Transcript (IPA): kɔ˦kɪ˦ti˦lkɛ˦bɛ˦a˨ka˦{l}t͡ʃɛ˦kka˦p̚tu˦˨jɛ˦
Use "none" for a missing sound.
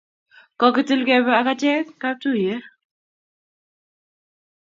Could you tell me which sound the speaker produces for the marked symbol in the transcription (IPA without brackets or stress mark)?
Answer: none